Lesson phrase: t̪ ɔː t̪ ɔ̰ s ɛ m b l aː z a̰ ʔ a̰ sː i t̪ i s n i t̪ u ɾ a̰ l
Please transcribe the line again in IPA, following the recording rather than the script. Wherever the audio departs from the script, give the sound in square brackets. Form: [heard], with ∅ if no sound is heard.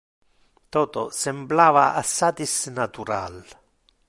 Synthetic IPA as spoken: t̪ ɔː t̪ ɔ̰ s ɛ m b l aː [v] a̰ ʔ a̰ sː [a] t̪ i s n [a] t̪ u ɾ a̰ l